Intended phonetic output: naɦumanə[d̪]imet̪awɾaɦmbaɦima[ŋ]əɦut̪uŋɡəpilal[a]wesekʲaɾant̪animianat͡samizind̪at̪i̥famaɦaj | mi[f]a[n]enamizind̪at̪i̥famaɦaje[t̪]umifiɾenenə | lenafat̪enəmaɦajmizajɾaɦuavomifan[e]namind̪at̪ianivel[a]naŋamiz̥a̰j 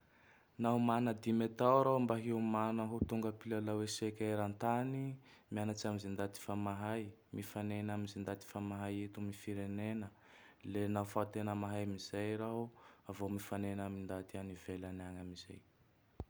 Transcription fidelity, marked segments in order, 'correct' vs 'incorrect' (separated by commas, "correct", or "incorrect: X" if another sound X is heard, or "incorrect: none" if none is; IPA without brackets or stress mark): correct, incorrect: n, correct, correct, correct, correct, correct, correct